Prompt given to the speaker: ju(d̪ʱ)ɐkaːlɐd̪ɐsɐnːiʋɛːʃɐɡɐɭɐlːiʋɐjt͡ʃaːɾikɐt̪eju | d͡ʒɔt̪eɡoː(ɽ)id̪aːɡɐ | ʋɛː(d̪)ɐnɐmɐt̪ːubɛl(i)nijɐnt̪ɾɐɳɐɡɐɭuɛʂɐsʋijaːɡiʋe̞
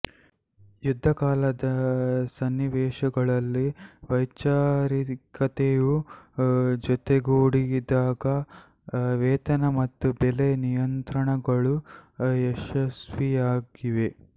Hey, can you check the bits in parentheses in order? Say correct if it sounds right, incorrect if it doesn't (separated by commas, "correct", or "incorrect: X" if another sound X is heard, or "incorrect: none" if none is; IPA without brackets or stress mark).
incorrect: d̪ʱː, correct, incorrect: t̪, incorrect: e